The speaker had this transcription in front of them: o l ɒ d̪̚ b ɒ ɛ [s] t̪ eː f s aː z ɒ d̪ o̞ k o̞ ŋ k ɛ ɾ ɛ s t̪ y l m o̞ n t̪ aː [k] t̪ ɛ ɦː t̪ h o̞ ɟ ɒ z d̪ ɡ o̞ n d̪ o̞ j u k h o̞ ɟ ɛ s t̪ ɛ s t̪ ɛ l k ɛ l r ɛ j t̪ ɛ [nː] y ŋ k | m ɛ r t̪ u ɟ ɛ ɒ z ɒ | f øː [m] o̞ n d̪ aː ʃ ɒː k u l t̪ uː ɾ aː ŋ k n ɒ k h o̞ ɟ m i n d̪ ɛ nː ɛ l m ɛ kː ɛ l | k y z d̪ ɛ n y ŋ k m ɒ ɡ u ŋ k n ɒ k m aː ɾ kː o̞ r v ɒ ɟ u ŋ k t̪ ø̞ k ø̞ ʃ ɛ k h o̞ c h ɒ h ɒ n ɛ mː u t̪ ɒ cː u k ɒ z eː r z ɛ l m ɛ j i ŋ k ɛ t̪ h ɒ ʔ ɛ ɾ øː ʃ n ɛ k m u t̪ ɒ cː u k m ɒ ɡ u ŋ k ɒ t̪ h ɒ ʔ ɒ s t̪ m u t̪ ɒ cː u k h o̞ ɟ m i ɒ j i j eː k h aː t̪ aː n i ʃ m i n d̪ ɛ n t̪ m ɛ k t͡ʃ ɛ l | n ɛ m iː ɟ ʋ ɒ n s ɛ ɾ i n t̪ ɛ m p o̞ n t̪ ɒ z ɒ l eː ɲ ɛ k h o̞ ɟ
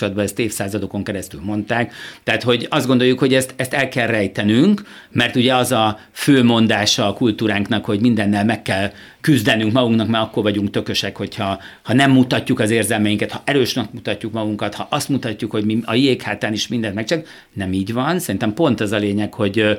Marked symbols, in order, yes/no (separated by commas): yes, yes, no, yes